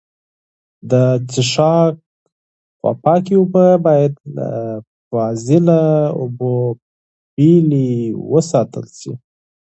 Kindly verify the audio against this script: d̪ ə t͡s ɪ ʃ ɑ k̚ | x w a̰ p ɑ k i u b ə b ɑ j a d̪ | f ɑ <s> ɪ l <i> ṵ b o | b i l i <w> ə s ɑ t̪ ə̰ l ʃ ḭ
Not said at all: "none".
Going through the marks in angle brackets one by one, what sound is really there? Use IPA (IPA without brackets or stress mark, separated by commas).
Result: z, a, w